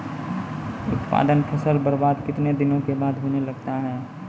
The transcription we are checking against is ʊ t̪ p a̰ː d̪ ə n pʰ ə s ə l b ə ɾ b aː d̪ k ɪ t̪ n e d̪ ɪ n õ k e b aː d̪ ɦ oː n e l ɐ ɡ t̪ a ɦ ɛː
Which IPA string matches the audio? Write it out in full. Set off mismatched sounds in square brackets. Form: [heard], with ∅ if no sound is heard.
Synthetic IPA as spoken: ʊ t̪ p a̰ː d̪ ə n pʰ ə s ə l b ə ɾ b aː d̪ k ɪ t̪ n e d̪ ɪ n õ k e b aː d̪ ɦ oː n e l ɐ ɡ t̪ a ɦ ɛː